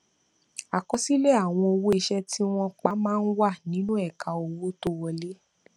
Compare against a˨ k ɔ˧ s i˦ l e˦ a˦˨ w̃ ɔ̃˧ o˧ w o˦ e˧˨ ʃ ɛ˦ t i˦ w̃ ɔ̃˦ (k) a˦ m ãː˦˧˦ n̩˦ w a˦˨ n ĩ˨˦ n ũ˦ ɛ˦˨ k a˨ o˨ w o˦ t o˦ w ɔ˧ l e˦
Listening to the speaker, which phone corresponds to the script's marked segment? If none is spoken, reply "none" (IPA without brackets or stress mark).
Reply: k͡p